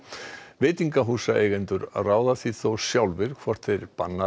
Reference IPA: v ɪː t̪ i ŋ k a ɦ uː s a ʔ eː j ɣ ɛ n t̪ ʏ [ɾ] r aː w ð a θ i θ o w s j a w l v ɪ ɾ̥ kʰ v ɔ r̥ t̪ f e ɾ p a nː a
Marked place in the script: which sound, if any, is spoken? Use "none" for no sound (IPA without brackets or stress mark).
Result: ɾ